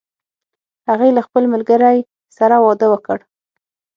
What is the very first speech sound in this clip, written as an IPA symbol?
h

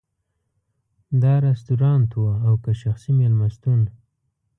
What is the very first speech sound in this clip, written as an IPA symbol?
d̪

